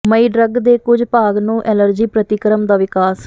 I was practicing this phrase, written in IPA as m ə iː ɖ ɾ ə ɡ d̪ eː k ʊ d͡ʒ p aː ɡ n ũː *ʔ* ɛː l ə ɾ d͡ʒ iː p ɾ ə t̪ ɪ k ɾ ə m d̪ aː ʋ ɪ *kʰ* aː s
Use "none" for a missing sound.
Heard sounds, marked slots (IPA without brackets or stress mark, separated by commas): ʔ, k